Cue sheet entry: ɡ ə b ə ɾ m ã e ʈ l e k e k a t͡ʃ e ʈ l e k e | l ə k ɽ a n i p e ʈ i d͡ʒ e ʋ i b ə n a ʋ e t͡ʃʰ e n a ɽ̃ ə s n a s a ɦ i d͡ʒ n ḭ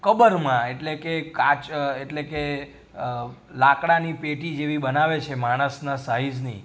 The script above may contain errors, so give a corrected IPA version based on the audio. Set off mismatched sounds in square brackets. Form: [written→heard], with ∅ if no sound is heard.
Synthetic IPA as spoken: [ɡ→k] ə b ə ɾ m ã e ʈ l e k e k a t͡ʃ e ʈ l e k e | l [ə→a] k ɽ a n i p e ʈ i d͡ʒ e ʋ i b ə n a ʋ e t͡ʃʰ e [n→m] a ɽ̃ ə s n a s a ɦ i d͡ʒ n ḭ